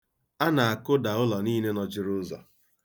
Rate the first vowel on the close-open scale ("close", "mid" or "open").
open